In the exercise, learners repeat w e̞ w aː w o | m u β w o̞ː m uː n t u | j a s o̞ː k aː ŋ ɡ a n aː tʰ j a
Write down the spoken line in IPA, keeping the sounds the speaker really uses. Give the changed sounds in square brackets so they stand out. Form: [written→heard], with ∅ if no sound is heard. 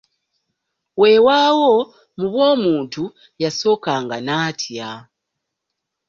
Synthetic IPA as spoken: w e̞ w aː w o | m u β w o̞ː m uː n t u | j a s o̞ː k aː ŋ ɡ a n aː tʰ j a